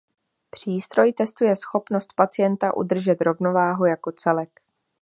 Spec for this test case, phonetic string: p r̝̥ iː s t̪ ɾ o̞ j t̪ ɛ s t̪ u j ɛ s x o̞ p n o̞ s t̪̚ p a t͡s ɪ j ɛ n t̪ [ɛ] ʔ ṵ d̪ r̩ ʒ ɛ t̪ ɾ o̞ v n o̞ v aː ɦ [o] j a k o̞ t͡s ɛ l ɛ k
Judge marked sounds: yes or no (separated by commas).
no, no